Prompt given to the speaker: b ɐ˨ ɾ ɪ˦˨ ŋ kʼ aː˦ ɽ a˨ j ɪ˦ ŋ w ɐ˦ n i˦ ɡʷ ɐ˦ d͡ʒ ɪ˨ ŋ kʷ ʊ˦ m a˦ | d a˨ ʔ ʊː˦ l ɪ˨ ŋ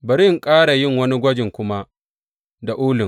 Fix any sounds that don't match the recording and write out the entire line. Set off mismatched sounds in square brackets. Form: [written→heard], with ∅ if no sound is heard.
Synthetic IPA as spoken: b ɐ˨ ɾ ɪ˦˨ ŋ kʼ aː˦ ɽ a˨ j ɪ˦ ŋ w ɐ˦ n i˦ ɡʷ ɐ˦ d͡ʒ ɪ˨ ŋ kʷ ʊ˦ m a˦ | d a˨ ʔ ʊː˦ l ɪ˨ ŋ

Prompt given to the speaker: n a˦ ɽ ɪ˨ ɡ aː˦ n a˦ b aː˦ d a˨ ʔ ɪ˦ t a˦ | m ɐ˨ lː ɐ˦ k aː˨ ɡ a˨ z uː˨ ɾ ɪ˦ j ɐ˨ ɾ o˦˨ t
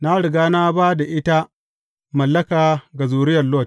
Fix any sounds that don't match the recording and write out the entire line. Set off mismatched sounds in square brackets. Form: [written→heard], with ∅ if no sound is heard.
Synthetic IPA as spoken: n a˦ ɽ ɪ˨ ɡ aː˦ n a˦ b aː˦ d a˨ ʔ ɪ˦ t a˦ | m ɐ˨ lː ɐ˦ k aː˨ ɡ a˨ z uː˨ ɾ ɪ˦ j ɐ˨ [ɾ→l] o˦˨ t

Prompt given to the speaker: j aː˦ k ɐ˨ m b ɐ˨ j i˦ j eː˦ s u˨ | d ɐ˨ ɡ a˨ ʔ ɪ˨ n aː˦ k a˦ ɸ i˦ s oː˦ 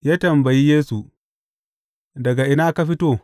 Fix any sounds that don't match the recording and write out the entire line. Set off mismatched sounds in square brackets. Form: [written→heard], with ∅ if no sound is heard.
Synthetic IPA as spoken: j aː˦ [k→t] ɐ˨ m b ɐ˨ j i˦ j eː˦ s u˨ | d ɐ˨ ɡ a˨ ʔ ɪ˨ n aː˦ k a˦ ɸ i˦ [s→t] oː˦

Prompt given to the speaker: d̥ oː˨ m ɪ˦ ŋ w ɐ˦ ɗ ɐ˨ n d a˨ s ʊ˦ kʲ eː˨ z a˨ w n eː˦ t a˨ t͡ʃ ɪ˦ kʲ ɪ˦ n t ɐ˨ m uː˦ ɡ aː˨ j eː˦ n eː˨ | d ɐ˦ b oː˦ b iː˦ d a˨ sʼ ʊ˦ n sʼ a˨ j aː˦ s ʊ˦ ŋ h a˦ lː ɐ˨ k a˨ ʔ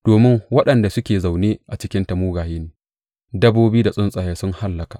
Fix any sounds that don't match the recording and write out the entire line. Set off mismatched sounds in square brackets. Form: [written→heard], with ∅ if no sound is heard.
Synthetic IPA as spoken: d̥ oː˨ m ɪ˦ ŋ w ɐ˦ ɗ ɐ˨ n d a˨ s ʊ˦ kʲ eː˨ z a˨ w n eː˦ [t→ʔ] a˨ t͡ʃ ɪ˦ kʲ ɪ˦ n t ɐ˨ m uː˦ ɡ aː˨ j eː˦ n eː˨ | d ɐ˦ b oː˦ b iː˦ d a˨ sʼ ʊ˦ n sʼ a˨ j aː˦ s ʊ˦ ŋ h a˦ lː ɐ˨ k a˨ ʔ

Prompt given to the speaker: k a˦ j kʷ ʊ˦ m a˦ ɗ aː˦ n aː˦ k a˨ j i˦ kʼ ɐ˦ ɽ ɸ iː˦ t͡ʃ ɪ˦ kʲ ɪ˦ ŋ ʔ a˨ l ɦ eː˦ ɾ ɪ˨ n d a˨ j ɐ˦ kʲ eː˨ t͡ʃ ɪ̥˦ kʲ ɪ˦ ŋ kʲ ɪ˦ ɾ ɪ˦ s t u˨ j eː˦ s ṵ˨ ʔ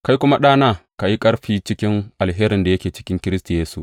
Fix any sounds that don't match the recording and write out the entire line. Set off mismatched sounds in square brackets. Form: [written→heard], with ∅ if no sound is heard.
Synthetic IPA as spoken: k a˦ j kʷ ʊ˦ m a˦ ɗ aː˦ n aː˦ k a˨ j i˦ kʼ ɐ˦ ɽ ɸ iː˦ t͡ʃ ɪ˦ kʲ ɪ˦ ŋ ʔ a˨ l ɦ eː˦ ɾ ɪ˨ n d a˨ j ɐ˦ kʲ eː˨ t͡ʃ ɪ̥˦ kʲ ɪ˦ ŋ kʲ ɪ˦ ɾ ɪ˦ s t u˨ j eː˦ s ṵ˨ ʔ

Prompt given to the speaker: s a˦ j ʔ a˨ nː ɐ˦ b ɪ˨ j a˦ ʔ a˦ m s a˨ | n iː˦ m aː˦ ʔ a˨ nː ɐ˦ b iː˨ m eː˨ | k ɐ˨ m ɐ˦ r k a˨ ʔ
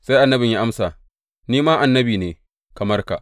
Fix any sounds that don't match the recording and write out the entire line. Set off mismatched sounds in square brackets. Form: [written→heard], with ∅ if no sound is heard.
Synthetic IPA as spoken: s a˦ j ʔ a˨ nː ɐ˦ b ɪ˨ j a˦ ʔ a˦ m s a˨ | n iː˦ m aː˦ ʔ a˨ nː ɐ˦ b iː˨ [m→n] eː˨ | k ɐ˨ m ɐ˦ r k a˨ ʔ

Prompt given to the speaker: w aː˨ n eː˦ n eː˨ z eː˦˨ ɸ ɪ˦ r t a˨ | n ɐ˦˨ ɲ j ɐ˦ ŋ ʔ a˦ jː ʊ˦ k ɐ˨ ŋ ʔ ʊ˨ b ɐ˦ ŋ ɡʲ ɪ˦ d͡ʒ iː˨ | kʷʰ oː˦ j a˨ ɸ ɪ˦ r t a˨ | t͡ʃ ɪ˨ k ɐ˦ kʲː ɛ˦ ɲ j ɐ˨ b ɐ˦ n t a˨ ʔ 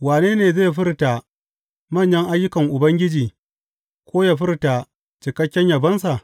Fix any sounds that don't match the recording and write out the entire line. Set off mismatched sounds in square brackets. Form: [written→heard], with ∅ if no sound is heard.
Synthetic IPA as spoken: w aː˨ n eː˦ n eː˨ z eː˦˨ ɸ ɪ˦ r t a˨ | [n→m] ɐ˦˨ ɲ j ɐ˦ ŋ ʔ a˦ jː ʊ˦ k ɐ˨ ŋ ʔ ʊ˨ b ɐ˦ ŋ ɡʲ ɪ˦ d͡ʒ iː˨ | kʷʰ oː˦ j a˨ ɸ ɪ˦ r t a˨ | t͡ʃ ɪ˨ k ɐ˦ kʲː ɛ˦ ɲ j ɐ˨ b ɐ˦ n [t→s] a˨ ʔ

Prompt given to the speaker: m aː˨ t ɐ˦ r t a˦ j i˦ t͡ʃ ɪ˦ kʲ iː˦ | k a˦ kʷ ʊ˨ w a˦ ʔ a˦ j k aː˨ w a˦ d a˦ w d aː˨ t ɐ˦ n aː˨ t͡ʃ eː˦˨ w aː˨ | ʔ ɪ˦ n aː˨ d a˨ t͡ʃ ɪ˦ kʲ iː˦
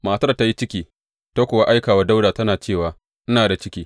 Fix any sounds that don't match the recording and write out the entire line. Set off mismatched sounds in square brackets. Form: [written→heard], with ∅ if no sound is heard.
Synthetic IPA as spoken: m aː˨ t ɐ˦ r t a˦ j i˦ t͡ʃ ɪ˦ kʲ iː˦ | [k→t] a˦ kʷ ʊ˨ w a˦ ʔ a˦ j k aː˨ w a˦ d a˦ w d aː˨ t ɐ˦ n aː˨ t͡ʃ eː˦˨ w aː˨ | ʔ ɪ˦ n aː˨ d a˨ t͡ʃ ɪ˦ kʲ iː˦

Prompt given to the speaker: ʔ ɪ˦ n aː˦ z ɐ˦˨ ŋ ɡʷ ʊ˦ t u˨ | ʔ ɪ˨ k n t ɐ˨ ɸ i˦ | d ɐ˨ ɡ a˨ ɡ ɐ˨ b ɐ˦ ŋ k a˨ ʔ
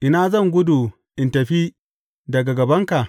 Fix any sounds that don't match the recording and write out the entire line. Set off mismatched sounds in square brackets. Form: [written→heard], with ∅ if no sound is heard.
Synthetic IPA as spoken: ʔ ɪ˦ n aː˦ z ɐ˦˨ ŋ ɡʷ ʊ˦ [t→d] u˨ | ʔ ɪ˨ [k→∅] n t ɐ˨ ɸ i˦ | d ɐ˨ ɡ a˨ ɡ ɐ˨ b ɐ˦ ŋ k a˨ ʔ

